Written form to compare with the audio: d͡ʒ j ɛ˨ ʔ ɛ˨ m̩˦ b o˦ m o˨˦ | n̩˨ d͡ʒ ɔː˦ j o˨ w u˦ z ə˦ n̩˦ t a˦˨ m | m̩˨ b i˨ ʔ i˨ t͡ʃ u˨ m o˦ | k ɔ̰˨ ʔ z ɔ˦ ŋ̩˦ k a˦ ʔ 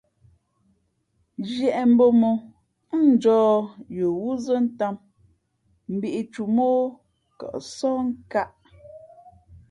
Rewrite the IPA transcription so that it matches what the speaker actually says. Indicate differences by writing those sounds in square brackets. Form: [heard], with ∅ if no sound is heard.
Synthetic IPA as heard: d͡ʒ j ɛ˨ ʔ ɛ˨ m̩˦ b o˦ m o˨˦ | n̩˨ d͡ʒ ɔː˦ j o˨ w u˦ z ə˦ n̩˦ t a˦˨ m | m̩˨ b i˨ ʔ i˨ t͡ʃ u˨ m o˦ | k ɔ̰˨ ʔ [s] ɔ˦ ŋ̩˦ k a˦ ʔ

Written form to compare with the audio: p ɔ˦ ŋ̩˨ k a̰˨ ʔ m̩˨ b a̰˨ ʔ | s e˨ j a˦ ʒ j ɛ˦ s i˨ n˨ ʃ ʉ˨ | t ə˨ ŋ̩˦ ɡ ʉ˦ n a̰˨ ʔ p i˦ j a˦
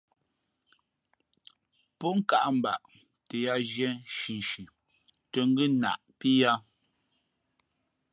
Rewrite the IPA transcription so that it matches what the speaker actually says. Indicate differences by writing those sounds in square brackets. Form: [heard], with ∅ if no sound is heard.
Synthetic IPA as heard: p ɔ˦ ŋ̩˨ k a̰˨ ʔ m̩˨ b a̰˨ ʔ | [t] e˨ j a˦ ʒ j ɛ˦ [ʃ] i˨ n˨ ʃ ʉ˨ | t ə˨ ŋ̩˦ ɡ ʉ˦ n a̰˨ ʔ p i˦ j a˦

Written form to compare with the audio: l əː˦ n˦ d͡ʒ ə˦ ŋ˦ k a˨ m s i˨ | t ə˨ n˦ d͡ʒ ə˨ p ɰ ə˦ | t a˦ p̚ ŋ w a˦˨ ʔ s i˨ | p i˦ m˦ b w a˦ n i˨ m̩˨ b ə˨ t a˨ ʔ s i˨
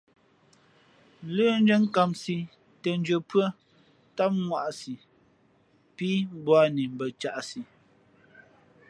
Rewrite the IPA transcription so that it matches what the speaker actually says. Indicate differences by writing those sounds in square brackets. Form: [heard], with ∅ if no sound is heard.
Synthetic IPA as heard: l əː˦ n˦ d͡ʒ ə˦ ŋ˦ k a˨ m s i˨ | t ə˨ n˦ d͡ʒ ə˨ p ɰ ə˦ | t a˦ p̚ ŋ w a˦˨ ʔ s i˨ | p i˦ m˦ b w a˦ n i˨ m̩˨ b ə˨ [t͡ʃ] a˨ ʔ s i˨

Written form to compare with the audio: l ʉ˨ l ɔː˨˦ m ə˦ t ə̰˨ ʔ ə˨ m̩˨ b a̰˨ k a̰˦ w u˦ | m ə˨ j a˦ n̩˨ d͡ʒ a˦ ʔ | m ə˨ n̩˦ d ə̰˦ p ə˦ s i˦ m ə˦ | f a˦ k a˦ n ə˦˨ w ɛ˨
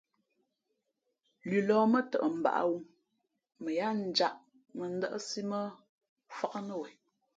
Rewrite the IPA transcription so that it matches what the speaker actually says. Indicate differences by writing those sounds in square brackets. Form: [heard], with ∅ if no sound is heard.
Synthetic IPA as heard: l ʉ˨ l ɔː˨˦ m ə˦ t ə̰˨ ʔ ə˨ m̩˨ b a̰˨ [ʔ] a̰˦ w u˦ | m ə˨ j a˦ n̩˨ d͡ʒ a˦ ʔ | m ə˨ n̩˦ d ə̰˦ [ʔ] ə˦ s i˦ m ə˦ | f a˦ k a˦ n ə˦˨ w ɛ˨

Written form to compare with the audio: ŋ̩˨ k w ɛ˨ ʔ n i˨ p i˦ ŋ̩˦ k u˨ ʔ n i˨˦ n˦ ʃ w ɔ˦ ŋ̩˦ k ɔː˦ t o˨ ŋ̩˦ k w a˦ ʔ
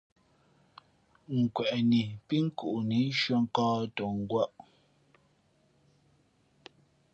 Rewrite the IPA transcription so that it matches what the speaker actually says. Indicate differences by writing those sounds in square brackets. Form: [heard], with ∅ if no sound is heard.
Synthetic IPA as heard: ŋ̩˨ k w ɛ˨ ʔ n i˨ p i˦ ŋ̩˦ k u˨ ʔ n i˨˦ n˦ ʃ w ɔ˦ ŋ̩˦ k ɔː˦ t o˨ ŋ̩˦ [ɡ] w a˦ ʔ

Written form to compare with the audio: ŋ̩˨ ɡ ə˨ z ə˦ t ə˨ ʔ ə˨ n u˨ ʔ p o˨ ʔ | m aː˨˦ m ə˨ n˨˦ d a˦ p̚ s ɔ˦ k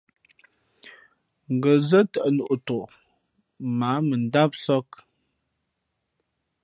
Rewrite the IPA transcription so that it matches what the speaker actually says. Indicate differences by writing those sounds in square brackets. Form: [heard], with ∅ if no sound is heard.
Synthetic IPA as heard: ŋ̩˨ ɡ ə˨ z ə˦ t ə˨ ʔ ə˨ n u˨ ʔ [t] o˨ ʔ | m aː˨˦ m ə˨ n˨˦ d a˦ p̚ s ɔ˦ k

